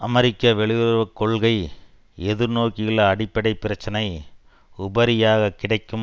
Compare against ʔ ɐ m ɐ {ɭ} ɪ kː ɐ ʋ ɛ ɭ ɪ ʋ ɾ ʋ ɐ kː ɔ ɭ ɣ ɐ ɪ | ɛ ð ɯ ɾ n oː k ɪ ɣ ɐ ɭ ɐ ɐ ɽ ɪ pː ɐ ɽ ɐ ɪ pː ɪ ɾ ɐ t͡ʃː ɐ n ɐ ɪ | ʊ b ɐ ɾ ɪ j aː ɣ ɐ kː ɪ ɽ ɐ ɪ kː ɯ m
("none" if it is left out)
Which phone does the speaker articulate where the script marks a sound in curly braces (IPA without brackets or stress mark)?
ɾ